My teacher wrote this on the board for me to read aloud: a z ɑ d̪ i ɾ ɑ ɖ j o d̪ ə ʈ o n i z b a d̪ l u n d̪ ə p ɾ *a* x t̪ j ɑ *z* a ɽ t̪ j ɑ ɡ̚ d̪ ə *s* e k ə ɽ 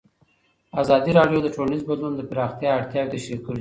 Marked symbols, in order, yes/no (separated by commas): no, no, no